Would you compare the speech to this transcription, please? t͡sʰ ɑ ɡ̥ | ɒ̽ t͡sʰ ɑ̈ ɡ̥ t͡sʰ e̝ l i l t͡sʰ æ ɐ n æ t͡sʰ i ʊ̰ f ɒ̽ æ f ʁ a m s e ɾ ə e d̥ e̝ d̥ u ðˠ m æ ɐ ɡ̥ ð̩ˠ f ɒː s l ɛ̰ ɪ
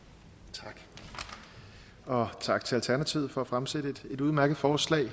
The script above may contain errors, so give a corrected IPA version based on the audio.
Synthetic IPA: t͡sʰ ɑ ɡ̥ | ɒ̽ t͡sʰ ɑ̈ ɡ̥ t͡sʰ e̝ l æ l t͡sʰ æ ɐ n æ t͡sʰ i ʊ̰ f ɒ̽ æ f ʁ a m s e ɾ ə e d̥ e̝ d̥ u ðˠ m æ ɐ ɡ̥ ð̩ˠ f ɒː s l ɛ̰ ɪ

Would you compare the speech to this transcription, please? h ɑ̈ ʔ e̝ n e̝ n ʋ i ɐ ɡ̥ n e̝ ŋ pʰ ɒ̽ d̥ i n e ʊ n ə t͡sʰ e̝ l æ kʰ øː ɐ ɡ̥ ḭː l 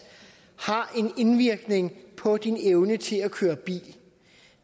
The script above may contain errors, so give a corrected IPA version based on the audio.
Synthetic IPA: h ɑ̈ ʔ e̝ n e̝ n ʋ i ɐ ɡ̥ n e̝ ŋ pʰ ɒ̽ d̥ i n e ʊ n ə t͡sʰ e̝ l æ kʰ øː ɐ b̥ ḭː l

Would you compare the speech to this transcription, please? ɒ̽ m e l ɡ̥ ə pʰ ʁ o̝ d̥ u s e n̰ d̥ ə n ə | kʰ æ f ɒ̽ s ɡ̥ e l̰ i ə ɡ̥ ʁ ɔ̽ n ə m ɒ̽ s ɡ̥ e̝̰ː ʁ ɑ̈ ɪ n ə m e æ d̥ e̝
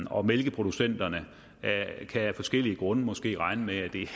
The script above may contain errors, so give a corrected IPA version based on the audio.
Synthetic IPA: ɒ̽ m e l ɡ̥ ə pʰ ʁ o̝ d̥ u s e n̰ d̥ ɐ n ə | kʰ æ f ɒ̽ s ɡ̥ e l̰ i ə ɡ̥ ʁ ɔ̽ n ə m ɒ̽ s ɡ̥ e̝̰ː ʁ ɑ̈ ɪ n ə m e æ d̥ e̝

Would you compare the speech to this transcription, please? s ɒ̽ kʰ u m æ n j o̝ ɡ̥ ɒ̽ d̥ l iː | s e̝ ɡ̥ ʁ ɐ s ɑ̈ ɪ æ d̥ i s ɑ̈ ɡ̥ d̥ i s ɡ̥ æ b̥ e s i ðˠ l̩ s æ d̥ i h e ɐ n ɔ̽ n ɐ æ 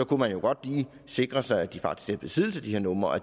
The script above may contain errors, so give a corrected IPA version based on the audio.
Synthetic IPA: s ɒ̽ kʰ u m æ n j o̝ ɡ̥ ɒ̽ d̥ l iː | s e̝ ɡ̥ ʁ ɐ s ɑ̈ ɪ æ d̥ i f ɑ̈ ɡ̥ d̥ i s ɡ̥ æ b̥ e s i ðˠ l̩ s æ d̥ i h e ɐ n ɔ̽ m ɐ æ

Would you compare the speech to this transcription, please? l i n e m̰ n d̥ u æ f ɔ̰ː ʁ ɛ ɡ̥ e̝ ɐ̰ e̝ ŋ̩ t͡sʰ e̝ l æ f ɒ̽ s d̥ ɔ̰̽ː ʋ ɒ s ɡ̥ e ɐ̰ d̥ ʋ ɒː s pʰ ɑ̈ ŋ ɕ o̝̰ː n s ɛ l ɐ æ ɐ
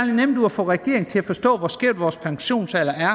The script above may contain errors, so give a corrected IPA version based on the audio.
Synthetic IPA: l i n e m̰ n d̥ u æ f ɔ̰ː ʁ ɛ ɡ̥ e̝ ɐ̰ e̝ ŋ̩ t͡sʰ e̝ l æ f ɒ̽ s d̥ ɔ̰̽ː ʋ ɒ s ɡ̥ e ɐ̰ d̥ ʋ ɒː s pʰ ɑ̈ ŋ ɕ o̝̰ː n s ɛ l ɐ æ ɐ

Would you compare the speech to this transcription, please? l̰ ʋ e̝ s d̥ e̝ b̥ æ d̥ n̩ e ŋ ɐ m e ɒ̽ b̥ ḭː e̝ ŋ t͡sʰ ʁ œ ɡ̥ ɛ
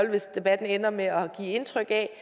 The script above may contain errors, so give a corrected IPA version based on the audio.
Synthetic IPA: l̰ ʋ e̝ s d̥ e̝ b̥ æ d̥ n̩ e n ɐ m e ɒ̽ ɡ̥ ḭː e̝ n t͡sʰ ʁ œ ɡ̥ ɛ

